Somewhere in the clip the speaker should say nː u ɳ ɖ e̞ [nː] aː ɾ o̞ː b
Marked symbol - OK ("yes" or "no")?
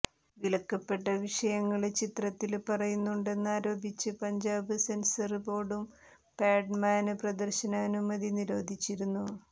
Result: yes